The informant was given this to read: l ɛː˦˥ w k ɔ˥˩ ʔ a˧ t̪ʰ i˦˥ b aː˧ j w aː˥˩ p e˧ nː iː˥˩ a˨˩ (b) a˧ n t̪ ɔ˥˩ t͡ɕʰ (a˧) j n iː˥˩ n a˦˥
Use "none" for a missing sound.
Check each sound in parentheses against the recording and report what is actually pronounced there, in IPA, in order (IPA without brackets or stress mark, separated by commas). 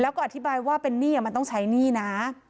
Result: m, a˦˥